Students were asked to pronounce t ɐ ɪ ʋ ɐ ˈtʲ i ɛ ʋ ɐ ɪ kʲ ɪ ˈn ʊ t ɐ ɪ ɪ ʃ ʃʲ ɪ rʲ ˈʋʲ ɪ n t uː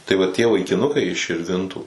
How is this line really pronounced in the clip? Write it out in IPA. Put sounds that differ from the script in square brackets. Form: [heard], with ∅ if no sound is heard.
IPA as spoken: t ɐ ɪ ʋ ɐ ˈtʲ i ɛ ʋ ɐ ɪ kʲ ɪ ˈn ʊ [k] ɐ ɪ ɪ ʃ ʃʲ ɪ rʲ ˈʋʲ ɪ n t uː